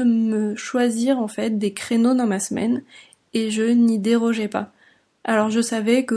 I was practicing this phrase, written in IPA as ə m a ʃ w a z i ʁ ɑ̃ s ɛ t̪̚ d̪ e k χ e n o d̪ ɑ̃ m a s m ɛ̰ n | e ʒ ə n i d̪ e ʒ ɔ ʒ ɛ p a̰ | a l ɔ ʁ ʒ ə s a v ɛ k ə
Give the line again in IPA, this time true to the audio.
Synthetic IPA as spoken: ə m ə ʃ w a z i ʁ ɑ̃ f ɛ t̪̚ d̪ e k χ e n o d̪ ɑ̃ m a s m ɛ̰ n | e ʒ ə n i d̪ e ʁ ɔ ʒ ɛ p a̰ | a l ɔ ʁ ʒ ə s a v ɛ k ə